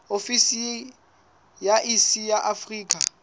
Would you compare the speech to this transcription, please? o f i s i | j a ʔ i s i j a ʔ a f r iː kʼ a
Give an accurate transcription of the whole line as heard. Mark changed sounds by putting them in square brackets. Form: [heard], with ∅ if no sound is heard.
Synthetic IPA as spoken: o f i s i | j a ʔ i s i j a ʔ a f r iː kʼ a